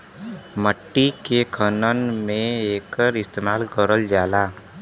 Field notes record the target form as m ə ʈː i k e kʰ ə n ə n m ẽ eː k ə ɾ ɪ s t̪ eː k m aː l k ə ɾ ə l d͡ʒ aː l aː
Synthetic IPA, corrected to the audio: m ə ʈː i k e kʰ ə n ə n m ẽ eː k ə ɾ ɪ s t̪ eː m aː l k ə ɾ ə l d͡ʒ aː l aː